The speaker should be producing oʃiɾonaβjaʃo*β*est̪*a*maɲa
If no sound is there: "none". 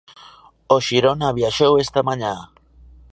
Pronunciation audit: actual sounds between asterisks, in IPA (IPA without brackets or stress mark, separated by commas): w, a